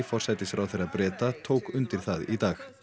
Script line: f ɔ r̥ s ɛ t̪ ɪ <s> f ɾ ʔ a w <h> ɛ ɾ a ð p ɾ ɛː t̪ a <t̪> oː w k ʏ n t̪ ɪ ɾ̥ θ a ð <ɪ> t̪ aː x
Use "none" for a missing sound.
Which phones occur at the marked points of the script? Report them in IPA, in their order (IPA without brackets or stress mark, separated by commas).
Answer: s, θ, t̪ʰ, i